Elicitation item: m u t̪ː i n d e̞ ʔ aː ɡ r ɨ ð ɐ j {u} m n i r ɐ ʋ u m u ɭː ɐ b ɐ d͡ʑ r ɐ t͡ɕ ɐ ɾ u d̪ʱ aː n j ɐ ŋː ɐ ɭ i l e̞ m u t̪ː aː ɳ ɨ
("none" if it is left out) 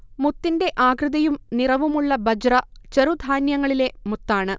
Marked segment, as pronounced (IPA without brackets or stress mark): u